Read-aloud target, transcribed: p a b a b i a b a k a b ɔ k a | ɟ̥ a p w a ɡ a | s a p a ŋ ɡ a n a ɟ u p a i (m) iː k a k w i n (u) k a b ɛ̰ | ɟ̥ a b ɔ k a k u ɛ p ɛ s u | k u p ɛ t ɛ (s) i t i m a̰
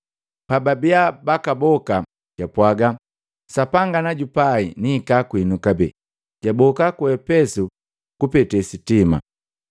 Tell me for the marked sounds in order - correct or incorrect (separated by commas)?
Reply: incorrect, correct, correct